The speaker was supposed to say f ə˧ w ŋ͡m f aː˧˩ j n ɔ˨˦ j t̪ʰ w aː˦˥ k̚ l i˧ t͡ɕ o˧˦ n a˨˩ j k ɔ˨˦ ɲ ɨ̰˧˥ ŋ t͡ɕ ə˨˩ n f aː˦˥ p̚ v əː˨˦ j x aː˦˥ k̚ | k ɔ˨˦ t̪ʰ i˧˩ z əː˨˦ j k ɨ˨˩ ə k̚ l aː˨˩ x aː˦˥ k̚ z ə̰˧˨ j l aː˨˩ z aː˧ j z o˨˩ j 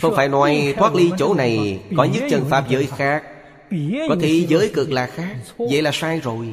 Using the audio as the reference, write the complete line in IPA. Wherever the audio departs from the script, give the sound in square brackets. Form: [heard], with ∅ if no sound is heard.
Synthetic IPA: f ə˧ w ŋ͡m f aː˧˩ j n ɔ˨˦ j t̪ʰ w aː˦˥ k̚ l i˧ t͡ɕ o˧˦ n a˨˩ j k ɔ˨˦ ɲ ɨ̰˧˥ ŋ t͡ɕ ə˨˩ n f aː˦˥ p̚ [z] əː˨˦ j x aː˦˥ k̚ | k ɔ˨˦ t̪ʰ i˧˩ z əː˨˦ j k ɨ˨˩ ə k̚ l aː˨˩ x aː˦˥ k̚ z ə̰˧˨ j l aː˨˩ [s] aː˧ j z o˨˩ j